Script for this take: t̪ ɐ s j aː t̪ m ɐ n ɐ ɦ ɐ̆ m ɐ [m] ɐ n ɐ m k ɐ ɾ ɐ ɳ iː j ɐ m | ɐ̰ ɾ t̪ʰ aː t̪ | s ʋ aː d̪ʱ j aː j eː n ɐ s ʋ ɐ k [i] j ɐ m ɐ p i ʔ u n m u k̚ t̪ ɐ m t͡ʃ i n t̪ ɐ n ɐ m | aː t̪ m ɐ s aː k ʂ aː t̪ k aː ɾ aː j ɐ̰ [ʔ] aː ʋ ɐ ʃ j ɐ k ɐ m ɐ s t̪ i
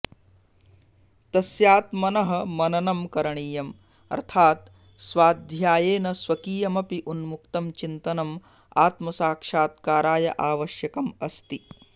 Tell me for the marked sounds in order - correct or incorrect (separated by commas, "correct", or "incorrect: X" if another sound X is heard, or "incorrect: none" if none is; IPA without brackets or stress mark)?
incorrect: n, incorrect: iː, correct